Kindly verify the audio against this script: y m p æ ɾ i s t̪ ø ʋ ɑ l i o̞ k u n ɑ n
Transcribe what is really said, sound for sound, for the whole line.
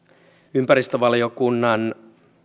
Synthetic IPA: y m p æ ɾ i s t̪ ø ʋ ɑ l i o̞ k u nː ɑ n